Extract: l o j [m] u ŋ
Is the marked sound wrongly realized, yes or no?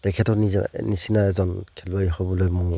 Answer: no